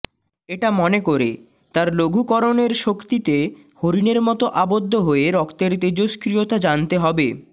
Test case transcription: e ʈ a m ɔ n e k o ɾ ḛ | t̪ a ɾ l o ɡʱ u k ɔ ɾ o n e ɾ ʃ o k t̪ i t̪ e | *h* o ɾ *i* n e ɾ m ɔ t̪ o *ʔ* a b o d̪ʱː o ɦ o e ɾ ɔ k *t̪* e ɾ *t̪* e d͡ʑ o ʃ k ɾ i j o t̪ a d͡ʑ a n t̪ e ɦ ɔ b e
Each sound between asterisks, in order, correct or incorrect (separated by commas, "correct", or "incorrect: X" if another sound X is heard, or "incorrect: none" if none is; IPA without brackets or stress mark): correct, correct, correct, correct, correct